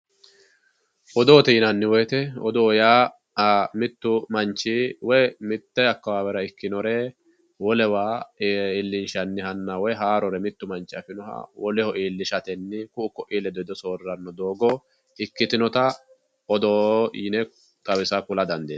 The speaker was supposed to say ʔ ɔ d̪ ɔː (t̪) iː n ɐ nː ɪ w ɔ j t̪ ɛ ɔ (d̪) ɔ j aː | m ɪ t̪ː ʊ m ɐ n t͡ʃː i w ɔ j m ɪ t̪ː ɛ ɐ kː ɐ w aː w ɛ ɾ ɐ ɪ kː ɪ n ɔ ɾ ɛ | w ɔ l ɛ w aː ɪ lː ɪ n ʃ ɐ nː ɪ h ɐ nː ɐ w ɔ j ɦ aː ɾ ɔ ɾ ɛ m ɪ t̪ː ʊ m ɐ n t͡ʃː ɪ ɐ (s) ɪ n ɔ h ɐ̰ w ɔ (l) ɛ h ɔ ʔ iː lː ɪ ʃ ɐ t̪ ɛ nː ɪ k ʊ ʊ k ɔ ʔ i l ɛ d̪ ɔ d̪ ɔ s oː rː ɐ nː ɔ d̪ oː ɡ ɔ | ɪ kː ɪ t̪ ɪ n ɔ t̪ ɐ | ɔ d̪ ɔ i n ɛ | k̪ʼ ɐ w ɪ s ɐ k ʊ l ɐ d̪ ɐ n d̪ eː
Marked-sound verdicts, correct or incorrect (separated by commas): correct, correct, incorrect, correct